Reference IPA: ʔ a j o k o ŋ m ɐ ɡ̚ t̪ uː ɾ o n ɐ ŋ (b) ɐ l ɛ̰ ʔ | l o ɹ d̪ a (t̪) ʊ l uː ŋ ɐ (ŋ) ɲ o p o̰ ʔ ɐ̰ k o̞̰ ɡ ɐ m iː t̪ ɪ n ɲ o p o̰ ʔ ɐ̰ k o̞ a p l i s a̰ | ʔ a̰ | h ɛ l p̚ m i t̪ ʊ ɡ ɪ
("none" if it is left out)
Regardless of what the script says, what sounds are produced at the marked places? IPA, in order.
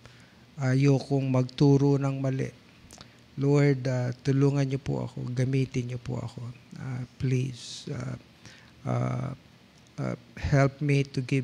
m, t̪, n

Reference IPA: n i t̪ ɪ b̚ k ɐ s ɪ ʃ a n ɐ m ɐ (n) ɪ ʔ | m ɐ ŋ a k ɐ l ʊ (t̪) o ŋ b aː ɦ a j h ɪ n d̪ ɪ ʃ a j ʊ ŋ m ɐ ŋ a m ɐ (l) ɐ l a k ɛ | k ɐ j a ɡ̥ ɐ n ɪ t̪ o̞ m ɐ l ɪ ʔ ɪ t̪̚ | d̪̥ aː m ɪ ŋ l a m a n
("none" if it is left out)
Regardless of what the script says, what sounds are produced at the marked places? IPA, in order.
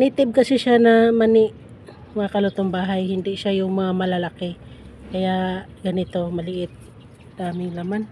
n, t̪, l

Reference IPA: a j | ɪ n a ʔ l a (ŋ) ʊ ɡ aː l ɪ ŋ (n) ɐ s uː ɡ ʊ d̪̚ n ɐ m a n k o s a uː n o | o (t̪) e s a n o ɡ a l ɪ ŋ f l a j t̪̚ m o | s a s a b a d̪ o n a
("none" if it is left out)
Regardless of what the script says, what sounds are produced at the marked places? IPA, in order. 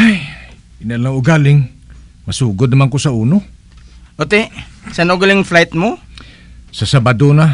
ŋ, m, t̪

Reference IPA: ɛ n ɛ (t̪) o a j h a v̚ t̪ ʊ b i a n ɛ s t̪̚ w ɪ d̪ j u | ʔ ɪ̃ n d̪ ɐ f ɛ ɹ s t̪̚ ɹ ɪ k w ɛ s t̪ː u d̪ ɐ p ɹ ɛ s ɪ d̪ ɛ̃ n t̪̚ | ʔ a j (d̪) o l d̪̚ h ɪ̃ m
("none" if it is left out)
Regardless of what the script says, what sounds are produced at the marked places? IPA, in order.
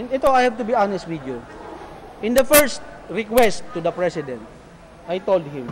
t̪, t̪

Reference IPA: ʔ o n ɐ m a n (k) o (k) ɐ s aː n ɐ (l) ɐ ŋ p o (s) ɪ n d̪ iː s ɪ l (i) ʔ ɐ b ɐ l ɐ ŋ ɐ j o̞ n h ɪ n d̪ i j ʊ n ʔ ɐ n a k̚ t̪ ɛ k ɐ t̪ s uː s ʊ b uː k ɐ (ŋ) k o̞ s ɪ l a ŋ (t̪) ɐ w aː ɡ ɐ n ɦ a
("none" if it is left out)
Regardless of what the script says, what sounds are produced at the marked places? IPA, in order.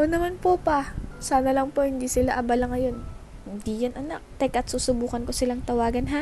p, p, l, h, a, n, t̪

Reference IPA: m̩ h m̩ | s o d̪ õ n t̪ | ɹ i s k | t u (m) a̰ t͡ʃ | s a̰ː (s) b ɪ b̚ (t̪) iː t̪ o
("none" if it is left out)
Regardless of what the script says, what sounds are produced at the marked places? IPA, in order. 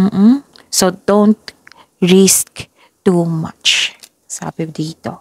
m, none, d̪

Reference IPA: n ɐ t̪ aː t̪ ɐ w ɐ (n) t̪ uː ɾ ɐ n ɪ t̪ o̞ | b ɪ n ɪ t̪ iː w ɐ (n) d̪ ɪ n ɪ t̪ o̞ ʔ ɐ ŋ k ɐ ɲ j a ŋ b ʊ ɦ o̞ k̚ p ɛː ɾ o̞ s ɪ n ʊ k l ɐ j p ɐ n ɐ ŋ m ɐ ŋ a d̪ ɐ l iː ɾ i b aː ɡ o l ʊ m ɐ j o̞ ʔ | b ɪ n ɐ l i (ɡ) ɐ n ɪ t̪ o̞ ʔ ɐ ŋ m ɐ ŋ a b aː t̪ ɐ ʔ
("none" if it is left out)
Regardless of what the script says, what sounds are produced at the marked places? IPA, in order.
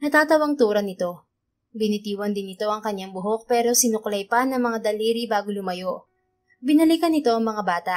ŋ, n, k

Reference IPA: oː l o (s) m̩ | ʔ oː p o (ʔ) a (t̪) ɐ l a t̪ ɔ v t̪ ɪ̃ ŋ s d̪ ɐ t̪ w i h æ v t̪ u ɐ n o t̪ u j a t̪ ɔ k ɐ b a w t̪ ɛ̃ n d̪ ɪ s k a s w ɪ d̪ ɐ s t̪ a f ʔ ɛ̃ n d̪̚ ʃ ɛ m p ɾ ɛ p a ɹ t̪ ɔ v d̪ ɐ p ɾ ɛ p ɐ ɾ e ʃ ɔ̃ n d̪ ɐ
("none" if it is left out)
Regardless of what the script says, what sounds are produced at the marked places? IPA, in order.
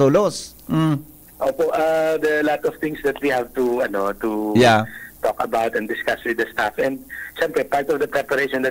s, ʔ, d̪

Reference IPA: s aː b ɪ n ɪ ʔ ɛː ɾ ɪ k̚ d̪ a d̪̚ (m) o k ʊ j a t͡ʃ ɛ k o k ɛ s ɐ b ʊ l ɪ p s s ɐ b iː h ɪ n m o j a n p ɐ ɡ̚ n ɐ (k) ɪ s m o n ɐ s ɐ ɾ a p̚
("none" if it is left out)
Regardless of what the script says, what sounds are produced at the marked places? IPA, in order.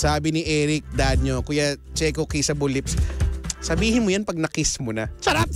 ɲ, k

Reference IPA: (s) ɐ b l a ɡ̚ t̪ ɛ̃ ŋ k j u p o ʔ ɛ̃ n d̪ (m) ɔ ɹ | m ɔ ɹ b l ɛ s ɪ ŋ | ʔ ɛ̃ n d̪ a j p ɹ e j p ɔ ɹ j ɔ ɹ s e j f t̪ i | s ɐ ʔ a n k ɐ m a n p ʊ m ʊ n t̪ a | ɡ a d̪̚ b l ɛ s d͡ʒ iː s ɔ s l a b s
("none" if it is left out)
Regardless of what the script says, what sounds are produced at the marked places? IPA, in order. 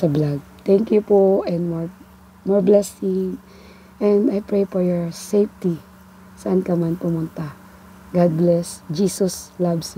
s, m

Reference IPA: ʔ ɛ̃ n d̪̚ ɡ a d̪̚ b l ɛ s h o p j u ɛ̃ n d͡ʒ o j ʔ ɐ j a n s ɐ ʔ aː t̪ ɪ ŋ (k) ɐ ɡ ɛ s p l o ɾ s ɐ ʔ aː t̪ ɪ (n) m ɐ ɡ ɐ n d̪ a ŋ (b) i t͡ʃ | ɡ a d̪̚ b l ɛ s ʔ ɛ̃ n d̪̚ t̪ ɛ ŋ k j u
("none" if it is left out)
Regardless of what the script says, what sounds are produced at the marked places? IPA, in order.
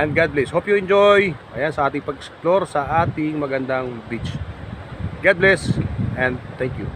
p, ŋ, b

